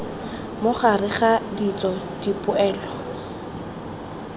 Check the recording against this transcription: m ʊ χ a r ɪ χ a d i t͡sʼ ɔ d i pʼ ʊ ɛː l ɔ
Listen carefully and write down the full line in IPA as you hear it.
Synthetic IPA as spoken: m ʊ χ a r ɪ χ a d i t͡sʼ ɔ d i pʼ ʊ ɛː l ɔ